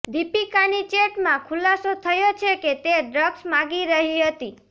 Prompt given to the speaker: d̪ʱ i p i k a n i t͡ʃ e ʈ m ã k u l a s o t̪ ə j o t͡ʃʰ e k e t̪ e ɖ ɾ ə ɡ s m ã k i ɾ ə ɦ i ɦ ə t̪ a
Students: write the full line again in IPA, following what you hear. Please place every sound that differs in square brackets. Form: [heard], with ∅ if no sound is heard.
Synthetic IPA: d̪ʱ i p i k a n i t͡ʃ e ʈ m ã [kʰ] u l a s o [t̪ʰ] ə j o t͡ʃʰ e k e t̪ e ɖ ɾ ə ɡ s m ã [ɡ] i ɾ ə ɦ i ɦ ə t̪ [i]